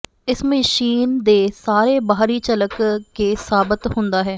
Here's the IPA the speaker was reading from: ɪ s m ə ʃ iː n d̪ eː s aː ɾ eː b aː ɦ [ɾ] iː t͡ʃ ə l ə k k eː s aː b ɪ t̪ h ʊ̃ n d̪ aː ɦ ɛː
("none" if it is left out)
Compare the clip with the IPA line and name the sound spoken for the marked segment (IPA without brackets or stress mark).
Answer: ɾ